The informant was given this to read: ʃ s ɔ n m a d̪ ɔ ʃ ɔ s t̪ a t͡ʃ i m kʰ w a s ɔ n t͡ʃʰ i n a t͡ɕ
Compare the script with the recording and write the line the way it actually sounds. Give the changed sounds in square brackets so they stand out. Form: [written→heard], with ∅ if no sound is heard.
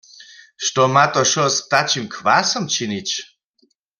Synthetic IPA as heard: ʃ [s→t] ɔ [n→∅] m a [d̪→t̪] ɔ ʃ ɔ s t̪ a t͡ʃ i m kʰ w a s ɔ [n→m] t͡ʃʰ i n [a→i] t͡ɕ